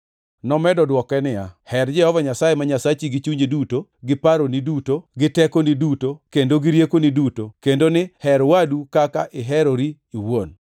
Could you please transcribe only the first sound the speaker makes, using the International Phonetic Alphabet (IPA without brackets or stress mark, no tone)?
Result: n